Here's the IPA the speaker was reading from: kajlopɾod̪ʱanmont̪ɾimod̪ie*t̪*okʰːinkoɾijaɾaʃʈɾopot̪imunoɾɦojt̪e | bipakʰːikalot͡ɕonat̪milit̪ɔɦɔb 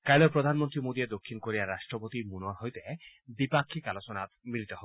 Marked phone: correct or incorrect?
incorrect